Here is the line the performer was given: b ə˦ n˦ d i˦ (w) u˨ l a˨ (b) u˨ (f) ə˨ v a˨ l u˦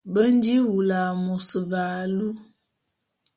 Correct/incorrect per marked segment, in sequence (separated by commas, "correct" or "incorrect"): correct, incorrect, incorrect